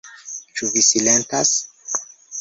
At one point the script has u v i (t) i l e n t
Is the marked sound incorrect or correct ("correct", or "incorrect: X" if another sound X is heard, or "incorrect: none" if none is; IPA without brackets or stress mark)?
incorrect: s